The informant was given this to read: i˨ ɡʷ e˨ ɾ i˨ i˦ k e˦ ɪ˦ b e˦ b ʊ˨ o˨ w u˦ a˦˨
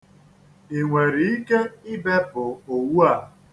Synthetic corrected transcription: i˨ ŋʷ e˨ ɾ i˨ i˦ k e˦ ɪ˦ b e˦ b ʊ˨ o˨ w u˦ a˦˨